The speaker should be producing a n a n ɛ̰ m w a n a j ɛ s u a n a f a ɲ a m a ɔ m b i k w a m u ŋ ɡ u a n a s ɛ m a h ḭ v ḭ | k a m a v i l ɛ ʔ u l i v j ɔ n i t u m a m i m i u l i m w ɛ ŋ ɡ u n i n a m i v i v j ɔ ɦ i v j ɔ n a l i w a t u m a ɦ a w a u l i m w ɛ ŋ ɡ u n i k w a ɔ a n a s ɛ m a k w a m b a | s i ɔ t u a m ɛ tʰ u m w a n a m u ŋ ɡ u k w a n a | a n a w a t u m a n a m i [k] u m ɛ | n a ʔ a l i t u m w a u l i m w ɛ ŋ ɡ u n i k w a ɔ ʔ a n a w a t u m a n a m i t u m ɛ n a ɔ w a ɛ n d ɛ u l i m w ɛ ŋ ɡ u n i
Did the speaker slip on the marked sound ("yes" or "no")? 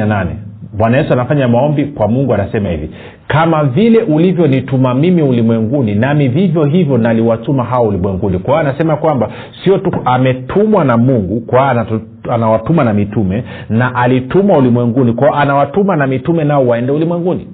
yes